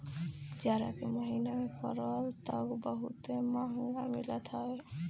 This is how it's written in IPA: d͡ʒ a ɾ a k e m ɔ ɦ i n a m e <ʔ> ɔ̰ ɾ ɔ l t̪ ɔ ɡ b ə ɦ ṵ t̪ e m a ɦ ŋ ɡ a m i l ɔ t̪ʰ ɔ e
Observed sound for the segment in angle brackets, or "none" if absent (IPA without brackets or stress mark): k